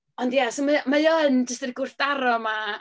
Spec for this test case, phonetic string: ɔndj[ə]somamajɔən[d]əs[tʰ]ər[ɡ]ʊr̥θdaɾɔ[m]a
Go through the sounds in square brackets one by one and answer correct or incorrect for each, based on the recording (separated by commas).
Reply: incorrect, incorrect, incorrect, correct, correct